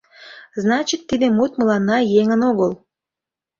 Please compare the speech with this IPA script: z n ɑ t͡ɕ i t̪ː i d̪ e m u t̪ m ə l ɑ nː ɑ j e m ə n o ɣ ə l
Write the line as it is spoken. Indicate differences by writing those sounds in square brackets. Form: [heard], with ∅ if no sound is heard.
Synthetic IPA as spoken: z n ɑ t͡ɕ i t̪ː i d̪ e m u t̪ m ə l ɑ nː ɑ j e [ŋ] ə n o ɣ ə l